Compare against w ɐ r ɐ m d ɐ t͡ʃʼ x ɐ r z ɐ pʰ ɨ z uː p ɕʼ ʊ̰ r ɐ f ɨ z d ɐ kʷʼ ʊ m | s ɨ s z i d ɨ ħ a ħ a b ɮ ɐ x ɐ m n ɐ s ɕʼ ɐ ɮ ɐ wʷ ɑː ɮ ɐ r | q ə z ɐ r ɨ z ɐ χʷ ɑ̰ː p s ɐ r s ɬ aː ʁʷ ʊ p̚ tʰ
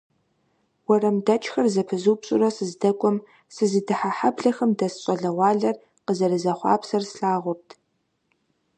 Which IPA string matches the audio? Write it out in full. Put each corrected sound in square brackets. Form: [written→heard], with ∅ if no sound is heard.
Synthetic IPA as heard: w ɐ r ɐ m d ɐ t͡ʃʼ x ɐ r z ɐ pʰ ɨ z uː p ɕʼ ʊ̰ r ɐ [f→s] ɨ z d ɐ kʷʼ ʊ m | s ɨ [s→∅] z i d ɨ ħ a ħ a b ɮ ɐ x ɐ m [n→d] ɐ s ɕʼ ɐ ɮ ɐ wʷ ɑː ɮ ɐ r | q ə z ɐ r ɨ z ɐ χʷ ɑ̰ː p s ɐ r s ɬ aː ʁʷ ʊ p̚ tʰ